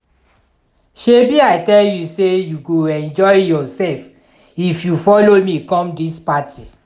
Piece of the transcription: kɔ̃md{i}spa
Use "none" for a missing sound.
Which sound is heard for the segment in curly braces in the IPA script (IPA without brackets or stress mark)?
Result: i